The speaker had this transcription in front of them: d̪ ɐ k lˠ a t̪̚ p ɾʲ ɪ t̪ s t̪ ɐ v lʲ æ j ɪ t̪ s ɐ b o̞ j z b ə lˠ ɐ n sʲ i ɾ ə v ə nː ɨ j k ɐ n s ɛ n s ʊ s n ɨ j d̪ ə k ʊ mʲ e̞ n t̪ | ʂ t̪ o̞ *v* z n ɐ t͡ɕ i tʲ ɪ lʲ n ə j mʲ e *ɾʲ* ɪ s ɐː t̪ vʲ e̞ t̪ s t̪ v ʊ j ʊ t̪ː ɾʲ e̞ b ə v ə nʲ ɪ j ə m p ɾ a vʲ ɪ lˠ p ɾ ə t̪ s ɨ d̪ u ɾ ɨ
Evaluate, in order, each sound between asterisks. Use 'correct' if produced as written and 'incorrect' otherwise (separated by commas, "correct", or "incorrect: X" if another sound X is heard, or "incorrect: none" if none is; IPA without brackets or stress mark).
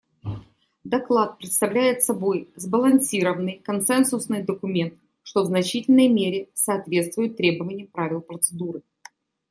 correct, correct